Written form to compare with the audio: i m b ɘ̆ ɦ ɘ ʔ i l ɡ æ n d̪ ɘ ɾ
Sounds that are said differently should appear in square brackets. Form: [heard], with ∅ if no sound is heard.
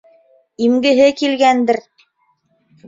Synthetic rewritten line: i m [ɡ] ɘ̆ ɦ ɘ [k] i l ɡ æ n d̪ ɘ ɾ